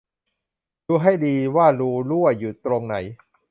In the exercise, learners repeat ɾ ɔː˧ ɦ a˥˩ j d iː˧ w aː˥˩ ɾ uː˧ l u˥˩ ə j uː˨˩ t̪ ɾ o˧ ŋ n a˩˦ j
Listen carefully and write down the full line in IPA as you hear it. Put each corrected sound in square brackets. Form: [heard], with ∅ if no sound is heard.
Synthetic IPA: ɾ [uː˧] ɦ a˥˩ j d iː˧ w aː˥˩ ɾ uː˧ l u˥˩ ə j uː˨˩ t̪ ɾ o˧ ŋ n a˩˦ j